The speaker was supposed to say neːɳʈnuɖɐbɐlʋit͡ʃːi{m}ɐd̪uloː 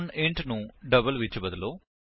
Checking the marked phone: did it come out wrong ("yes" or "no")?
yes